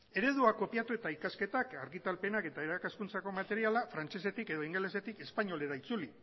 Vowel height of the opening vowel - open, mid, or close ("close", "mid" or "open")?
mid